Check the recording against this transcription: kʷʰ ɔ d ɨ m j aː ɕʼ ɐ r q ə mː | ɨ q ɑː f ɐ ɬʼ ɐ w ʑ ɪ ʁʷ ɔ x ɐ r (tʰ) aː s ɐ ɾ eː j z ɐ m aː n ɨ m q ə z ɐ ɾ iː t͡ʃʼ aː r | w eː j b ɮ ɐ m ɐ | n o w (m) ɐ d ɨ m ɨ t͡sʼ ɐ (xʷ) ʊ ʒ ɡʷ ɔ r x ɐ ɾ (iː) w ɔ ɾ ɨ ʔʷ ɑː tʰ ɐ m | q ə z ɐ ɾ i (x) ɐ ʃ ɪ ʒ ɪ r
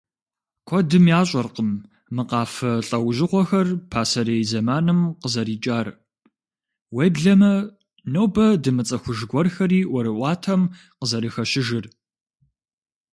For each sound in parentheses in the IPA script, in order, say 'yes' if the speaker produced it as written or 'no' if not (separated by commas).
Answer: no, no, yes, yes, yes